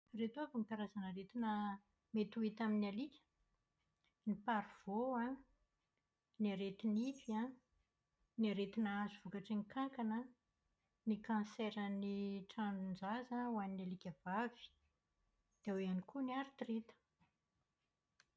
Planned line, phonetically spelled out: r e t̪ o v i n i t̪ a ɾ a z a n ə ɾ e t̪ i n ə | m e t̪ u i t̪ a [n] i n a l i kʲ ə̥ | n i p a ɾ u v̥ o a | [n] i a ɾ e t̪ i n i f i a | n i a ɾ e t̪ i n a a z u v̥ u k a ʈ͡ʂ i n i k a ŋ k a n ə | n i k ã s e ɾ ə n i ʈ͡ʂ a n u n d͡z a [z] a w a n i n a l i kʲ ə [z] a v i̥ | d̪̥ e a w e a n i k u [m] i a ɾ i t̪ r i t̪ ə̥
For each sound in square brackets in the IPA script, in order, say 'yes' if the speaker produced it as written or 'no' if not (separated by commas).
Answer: no, yes, yes, no, no